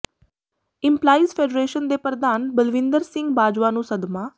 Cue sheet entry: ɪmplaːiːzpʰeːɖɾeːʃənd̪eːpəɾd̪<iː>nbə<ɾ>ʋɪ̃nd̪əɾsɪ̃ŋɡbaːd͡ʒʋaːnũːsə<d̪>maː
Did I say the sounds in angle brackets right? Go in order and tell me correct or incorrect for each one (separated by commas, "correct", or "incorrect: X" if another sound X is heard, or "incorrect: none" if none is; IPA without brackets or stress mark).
incorrect: aː, incorrect: l, correct